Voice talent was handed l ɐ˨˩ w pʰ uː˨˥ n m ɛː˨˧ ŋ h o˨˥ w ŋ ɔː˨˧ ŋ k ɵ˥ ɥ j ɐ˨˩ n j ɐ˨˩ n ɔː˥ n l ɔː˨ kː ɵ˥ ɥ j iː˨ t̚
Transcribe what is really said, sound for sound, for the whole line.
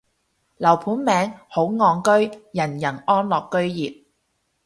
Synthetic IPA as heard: l ɐ˨˩ w pʰ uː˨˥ n m ɛː˨˧ ŋ h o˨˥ w ŋ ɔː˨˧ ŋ k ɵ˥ ɥ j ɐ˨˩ n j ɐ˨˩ n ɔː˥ n l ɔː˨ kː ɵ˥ ɥ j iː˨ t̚